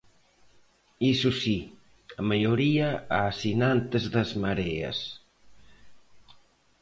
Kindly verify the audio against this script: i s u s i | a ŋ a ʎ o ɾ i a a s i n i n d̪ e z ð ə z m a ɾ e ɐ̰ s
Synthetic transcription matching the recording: i s u s i | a m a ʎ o ɾ i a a s i n a n t̪ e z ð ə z m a ɾ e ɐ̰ s